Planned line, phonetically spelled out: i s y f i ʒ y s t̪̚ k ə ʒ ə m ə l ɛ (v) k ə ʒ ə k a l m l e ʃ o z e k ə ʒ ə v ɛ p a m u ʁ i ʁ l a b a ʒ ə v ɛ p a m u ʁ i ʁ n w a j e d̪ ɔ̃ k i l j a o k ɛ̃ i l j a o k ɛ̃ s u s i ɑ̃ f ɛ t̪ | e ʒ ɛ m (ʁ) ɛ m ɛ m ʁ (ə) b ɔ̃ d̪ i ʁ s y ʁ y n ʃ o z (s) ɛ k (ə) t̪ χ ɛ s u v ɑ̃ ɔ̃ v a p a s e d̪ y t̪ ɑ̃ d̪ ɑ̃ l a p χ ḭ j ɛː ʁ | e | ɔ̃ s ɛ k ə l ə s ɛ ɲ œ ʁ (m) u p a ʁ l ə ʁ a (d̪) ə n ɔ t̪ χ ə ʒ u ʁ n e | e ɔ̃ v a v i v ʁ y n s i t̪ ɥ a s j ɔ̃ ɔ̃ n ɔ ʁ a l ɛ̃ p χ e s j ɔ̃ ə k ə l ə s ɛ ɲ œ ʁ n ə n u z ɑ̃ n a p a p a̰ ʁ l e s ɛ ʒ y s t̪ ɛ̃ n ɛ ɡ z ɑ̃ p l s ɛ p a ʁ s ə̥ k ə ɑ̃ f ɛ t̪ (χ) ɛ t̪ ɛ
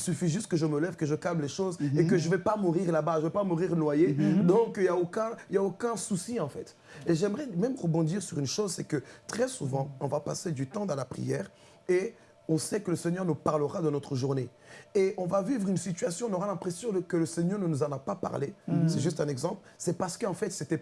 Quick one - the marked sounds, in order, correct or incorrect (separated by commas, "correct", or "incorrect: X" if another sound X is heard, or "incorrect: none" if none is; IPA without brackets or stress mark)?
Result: correct, correct, correct, correct, correct, incorrect: n, correct, incorrect: s